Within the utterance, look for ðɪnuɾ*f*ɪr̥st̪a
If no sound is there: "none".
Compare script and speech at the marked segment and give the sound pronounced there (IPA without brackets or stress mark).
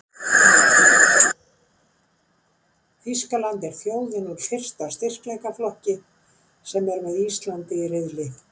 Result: f